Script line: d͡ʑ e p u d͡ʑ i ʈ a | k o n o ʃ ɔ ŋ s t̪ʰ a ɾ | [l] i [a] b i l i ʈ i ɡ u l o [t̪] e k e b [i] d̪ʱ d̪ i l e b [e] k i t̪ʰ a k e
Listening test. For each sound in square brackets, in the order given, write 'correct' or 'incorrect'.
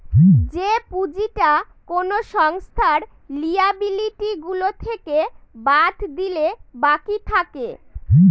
correct, correct, incorrect, incorrect, incorrect

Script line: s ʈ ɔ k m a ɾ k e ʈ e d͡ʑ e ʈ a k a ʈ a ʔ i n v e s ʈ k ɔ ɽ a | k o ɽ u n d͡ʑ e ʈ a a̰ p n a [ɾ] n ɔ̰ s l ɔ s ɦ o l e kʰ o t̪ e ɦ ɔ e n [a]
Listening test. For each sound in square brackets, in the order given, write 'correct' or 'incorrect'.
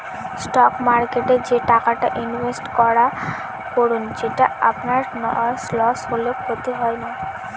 correct, correct

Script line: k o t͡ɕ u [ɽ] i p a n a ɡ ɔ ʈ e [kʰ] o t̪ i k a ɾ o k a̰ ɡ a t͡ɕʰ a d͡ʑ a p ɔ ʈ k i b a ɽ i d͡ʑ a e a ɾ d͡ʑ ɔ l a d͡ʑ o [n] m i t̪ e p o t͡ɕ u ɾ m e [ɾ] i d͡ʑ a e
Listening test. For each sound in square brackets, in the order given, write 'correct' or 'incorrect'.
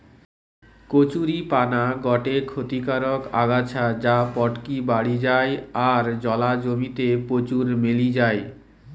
incorrect, correct, incorrect, incorrect

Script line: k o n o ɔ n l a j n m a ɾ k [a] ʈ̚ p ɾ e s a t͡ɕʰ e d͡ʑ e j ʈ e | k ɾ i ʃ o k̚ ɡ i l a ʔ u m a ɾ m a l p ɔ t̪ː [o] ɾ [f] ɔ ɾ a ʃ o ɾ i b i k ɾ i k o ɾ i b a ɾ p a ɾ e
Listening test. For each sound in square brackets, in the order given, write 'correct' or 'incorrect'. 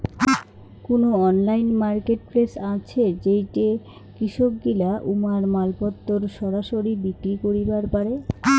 incorrect, correct, incorrect

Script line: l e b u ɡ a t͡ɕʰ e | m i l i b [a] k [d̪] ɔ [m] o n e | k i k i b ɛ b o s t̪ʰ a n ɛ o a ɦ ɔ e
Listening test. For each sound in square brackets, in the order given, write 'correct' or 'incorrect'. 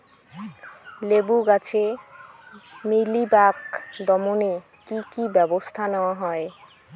correct, correct, correct

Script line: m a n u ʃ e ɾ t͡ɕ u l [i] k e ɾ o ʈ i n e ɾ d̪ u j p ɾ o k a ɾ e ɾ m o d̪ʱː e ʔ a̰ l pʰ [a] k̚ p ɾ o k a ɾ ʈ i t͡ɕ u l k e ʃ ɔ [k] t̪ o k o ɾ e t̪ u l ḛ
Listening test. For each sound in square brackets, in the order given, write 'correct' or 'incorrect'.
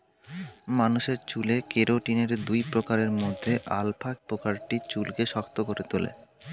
incorrect, correct, correct

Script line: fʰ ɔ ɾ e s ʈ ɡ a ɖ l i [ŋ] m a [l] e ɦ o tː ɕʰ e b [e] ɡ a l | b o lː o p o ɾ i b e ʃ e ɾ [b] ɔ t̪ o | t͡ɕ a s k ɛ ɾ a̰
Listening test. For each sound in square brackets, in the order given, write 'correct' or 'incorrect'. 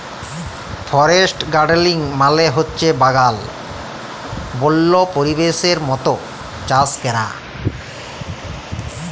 correct, correct, incorrect, incorrect

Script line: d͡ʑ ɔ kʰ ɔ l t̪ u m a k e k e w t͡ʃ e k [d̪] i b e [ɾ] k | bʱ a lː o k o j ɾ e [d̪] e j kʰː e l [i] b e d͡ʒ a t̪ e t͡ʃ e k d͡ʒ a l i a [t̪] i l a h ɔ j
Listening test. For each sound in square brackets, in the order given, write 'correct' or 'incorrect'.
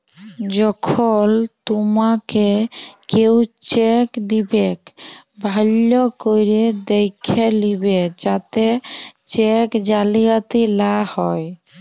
correct, incorrect, correct, correct, correct

